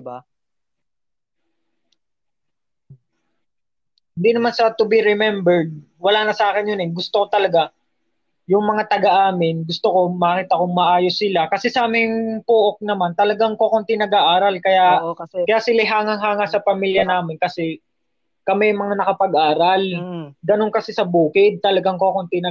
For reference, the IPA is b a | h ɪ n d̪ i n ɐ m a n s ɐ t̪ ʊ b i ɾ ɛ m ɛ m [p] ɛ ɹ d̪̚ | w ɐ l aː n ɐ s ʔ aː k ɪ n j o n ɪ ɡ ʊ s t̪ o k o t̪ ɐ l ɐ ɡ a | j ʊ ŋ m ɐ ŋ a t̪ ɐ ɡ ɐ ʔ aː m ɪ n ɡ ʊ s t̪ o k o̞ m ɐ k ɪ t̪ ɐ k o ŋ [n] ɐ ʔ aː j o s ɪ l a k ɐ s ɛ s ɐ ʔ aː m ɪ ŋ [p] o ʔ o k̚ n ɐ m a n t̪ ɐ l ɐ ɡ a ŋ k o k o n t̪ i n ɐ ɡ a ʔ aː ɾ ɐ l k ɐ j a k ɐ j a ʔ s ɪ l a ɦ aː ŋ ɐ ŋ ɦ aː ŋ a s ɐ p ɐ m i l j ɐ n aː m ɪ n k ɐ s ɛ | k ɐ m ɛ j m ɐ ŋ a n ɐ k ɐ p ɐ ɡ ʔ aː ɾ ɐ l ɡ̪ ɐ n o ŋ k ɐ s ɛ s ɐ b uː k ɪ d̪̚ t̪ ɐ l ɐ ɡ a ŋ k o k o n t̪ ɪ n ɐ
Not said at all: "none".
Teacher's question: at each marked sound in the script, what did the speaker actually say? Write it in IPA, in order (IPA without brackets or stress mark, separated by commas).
b, m, p